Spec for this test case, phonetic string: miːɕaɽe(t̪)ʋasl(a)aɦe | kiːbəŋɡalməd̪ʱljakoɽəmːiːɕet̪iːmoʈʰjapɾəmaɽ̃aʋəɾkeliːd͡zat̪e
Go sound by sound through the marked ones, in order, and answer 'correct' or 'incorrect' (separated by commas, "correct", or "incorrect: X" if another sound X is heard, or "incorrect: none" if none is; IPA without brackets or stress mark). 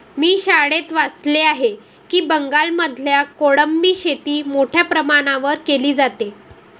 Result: correct, incorrect: e